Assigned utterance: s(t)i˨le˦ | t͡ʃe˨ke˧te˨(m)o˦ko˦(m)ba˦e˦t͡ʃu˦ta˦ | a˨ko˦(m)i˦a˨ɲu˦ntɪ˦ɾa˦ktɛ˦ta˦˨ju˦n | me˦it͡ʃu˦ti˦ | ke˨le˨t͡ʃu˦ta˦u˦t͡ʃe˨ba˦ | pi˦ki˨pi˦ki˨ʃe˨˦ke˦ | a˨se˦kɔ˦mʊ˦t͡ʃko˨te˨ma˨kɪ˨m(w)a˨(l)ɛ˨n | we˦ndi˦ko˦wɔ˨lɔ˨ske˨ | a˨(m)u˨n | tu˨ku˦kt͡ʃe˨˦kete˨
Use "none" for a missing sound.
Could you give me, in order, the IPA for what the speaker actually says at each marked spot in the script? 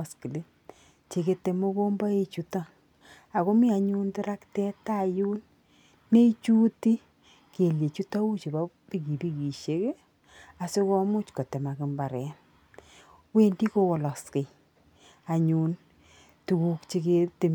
k, m, m, m, b, ɾ, ɲ

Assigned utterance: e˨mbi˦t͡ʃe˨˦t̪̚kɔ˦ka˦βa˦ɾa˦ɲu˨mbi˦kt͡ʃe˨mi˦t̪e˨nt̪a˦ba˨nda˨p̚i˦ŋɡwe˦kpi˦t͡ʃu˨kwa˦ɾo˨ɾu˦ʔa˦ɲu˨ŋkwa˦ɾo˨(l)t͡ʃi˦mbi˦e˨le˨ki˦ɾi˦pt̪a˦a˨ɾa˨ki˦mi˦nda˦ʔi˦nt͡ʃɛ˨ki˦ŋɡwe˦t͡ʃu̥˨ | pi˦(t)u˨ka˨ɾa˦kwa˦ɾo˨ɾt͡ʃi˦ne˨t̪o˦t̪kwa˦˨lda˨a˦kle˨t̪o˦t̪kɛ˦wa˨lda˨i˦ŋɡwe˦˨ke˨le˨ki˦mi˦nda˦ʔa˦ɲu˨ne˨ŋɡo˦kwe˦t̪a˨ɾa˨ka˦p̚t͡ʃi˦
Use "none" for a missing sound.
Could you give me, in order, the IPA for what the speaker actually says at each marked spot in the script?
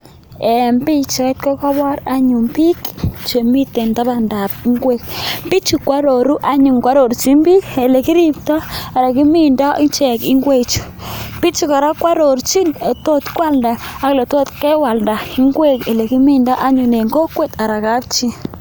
ɾ, t͡ʃ

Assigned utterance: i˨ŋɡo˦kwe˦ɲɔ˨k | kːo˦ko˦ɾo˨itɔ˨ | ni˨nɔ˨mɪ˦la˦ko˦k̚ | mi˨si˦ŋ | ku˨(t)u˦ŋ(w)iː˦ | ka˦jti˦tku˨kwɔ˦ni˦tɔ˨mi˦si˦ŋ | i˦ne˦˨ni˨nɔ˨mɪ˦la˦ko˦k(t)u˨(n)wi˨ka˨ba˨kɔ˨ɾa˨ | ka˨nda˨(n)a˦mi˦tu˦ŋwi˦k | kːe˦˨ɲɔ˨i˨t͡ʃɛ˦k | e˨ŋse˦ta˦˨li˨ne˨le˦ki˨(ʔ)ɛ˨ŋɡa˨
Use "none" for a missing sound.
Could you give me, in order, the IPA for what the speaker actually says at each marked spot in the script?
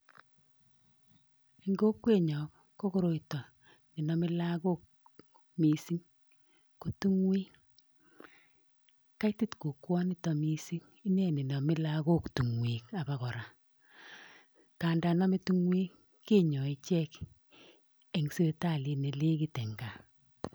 t, w, t, ŋ, n, t

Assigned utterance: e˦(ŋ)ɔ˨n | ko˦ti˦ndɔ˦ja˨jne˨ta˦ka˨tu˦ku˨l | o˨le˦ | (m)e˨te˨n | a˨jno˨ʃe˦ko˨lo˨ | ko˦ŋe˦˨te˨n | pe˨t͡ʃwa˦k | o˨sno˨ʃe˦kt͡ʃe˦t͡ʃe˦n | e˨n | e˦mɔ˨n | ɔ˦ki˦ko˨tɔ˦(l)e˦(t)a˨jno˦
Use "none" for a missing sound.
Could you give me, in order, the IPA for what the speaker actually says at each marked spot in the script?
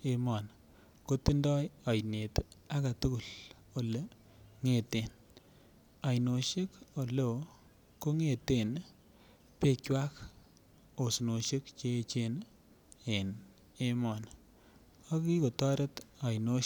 m, ŋ, ɾ, t

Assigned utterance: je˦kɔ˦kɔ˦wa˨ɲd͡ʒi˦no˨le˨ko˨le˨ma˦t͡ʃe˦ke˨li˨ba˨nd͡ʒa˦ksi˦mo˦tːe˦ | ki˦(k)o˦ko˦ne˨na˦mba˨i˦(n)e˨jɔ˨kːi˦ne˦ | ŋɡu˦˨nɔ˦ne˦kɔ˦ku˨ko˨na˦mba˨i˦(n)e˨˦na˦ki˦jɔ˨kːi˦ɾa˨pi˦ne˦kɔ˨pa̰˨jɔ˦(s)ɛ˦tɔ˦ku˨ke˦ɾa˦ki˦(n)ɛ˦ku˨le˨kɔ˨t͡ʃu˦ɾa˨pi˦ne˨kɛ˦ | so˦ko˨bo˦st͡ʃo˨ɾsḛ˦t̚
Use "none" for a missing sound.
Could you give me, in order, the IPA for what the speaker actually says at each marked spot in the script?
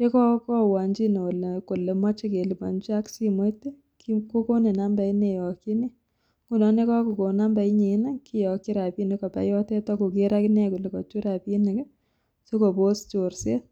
k, n, ɲ, t, n

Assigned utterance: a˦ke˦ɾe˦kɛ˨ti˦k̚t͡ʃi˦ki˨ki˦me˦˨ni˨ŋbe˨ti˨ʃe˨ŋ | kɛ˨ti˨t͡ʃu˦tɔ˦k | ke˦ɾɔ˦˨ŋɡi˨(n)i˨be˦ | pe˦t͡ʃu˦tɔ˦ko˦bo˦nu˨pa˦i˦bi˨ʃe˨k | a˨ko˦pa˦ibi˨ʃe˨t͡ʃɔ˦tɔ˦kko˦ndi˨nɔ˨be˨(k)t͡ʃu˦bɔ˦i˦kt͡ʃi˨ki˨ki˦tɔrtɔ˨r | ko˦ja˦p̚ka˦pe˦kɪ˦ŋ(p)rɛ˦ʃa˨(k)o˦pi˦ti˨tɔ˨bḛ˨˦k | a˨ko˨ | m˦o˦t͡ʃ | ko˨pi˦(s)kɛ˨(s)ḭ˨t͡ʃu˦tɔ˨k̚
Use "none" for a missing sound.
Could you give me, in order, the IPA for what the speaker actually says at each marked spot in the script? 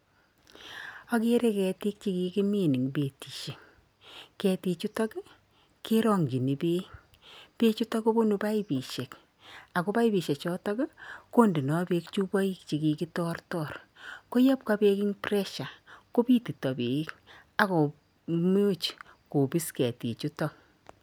n, k, p, k, s, t

